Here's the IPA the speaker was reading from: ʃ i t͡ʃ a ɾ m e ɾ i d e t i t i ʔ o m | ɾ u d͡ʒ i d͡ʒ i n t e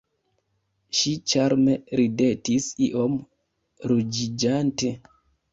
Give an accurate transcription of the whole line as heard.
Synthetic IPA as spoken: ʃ i t͡ʃ a ɾ m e ɾ i d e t i s i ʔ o m | ɾ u d͡ʒ i d͡ʒ a n t e